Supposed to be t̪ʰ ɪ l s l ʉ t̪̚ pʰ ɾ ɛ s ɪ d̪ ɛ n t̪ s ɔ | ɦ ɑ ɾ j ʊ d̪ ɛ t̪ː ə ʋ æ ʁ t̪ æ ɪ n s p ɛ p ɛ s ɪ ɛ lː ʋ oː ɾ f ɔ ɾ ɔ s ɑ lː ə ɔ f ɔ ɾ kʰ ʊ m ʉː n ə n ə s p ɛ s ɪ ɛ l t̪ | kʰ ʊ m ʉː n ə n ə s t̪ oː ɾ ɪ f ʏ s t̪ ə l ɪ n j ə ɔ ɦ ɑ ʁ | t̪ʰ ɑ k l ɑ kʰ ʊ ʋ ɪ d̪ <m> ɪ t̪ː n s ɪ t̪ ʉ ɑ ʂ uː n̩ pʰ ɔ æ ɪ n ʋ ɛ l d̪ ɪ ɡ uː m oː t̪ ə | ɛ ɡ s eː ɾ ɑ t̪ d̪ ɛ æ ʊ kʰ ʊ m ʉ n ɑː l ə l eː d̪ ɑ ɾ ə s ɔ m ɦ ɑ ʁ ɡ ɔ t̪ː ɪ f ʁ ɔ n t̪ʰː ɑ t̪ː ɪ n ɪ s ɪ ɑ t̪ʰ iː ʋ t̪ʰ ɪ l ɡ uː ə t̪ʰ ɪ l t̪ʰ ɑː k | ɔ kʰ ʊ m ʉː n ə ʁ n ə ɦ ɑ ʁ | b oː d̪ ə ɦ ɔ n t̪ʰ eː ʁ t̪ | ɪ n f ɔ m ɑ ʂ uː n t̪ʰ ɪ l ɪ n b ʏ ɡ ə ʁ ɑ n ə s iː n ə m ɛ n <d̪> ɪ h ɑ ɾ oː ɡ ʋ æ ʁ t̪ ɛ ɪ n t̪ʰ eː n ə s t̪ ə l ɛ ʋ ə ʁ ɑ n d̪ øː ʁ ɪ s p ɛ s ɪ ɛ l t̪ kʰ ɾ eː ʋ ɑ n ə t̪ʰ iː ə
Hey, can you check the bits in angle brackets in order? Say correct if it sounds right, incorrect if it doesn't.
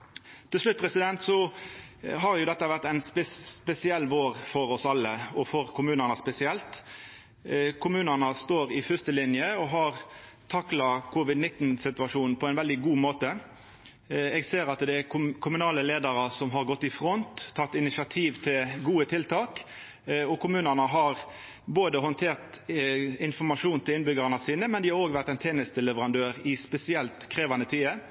incorrect: n, correct

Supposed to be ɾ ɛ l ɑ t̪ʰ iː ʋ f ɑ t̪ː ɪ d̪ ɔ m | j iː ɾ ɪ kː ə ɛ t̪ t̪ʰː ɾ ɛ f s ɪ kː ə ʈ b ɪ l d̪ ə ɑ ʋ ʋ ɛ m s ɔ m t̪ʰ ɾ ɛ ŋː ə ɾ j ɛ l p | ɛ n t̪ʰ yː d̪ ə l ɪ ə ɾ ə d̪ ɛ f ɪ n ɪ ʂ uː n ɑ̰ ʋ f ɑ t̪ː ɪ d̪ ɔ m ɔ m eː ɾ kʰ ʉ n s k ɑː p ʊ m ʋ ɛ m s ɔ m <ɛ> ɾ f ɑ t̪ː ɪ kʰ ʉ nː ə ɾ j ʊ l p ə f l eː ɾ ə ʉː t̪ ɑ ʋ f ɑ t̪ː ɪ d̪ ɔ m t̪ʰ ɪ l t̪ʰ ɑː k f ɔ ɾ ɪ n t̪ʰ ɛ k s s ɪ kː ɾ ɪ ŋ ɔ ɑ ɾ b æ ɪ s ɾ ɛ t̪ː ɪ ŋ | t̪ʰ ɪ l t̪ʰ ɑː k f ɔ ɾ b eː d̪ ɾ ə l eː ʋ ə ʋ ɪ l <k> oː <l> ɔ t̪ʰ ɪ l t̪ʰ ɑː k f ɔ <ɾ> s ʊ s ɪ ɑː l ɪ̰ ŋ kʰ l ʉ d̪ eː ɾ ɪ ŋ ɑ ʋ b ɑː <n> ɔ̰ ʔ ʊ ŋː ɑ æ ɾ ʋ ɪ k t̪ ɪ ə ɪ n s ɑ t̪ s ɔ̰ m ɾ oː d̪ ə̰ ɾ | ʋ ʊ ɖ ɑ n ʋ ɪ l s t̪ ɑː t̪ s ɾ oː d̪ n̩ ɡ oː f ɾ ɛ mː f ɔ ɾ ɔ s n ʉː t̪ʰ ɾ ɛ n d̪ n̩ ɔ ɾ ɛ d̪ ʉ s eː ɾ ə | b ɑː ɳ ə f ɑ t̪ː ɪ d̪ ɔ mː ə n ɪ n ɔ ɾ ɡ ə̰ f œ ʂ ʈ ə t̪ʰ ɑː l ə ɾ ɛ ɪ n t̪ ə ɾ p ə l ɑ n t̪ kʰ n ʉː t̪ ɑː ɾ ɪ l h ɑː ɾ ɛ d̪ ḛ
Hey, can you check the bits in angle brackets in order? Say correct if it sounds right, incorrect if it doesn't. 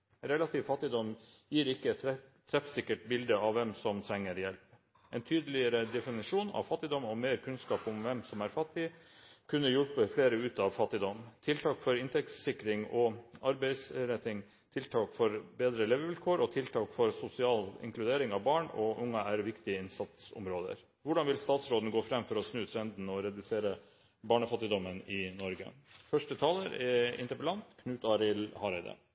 incorrect: æ, incorrect: kʰ, incorrect: ɾ, correct, incorrect: ɳ

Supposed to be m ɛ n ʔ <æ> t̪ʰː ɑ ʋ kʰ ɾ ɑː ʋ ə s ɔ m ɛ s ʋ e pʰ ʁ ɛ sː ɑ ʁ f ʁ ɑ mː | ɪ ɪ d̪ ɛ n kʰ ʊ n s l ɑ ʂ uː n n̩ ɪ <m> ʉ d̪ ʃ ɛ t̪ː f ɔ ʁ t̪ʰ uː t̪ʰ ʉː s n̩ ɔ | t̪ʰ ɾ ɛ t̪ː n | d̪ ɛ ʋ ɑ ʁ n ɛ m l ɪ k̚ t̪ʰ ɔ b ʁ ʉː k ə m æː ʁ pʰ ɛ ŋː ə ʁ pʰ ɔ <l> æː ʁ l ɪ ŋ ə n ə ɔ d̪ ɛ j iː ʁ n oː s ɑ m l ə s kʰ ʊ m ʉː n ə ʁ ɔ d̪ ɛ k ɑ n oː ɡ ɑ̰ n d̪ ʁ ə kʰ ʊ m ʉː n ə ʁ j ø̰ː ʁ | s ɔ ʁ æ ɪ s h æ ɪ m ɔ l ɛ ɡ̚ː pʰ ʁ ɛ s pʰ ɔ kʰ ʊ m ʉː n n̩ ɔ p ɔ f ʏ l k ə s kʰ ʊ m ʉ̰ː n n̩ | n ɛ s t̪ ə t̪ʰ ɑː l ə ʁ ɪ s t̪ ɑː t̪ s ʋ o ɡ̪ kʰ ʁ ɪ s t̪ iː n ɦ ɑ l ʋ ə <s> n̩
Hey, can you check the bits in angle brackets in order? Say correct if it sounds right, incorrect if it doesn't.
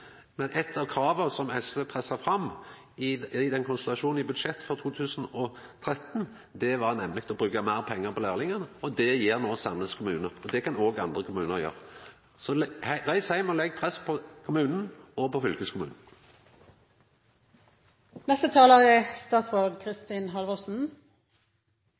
incorrect: ɛ, incorrect: b, correct, correct

